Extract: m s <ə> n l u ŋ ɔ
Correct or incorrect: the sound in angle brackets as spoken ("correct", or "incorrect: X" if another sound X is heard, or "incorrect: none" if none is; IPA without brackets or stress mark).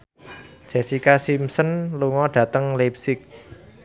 correct